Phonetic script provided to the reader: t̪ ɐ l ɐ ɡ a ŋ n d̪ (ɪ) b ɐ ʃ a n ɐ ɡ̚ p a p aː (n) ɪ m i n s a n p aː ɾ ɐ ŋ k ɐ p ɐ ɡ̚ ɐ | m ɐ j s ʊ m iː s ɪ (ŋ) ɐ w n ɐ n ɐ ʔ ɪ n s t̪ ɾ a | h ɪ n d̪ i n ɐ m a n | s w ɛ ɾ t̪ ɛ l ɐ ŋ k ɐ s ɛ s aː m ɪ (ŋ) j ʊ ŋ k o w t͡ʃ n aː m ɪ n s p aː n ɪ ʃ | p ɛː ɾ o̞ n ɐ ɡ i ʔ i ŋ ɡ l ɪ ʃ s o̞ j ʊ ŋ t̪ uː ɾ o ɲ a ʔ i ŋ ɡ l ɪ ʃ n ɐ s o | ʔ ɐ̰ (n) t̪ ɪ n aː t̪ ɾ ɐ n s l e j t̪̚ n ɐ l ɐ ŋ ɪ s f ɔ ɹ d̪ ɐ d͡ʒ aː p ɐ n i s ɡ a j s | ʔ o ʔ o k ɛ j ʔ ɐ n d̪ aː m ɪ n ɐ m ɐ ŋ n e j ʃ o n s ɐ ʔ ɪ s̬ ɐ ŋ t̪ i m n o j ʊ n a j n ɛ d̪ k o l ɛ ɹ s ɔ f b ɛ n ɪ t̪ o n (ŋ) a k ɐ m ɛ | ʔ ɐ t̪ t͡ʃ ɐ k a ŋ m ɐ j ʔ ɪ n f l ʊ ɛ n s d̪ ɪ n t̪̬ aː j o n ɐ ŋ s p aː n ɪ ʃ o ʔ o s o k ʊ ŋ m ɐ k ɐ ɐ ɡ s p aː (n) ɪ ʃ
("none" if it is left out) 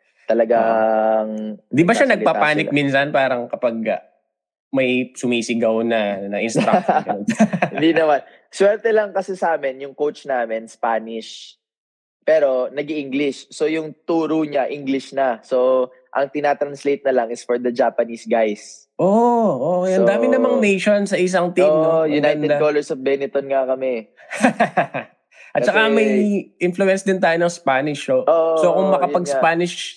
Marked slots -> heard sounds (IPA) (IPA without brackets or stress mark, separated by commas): i, n, ɡ, n, ŋ, ŋ, n